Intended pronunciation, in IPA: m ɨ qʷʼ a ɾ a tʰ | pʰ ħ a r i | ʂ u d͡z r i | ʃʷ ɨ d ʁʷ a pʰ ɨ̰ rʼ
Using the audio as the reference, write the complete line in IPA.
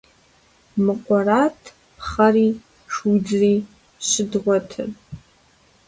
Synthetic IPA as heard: m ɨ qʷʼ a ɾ a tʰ | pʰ χ a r i | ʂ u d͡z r i | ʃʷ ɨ d ʁʷ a tʰ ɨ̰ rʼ